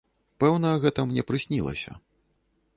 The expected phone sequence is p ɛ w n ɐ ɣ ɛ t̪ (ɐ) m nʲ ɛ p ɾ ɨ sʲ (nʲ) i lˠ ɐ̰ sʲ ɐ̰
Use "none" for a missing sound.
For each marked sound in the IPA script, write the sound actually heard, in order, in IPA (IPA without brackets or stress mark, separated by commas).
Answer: ɐ, nʲ